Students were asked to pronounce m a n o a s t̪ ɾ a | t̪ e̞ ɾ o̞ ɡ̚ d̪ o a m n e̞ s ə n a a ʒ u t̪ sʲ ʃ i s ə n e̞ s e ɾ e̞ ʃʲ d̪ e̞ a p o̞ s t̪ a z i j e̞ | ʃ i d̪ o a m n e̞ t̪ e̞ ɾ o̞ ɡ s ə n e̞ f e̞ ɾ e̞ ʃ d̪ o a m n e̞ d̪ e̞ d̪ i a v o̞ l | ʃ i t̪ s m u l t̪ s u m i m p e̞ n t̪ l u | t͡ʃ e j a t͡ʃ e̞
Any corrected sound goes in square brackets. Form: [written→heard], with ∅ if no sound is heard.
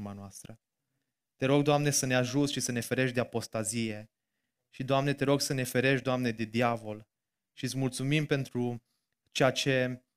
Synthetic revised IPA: m a n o a s t̪ ɾ [a→ə] | t̪ e̞ ɾ o̞ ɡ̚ d̪ o a m n e̞ s ə n [a→e] a ʒ u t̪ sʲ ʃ i s ə n e̞ [s→f] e ɾ e̞ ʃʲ d̪ e̞ a p o̞ s t̪ a z i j e̞ | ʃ i d̪ o a m n e̞ t̪ e̞ ɾ o̞ ɡ s ə n e̞ f e̞ ɾ e̞ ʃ d̪ o a m n e̞ d̪ e̞ d̪ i a v o̞ l | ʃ i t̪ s m u l t̪ s u m i m p e̞ n t̪ [l→ɾ] u | t͡ʃ e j a t͡ʃ e̞